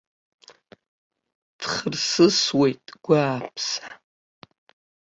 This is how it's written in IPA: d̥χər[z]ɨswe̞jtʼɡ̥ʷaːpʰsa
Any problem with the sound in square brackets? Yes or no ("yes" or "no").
yes